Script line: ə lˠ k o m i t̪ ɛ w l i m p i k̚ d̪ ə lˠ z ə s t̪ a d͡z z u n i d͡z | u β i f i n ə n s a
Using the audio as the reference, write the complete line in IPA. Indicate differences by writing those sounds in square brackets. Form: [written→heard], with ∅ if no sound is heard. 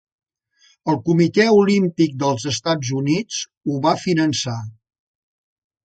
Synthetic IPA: ə lˠ k [o→u] m i t̪ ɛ [w→u] l i m p i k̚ d̪ ə lˠ z ə s t̪ a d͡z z u n i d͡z | u β [i→a] f i n ə n s a